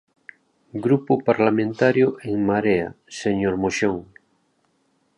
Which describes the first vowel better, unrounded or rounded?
rounded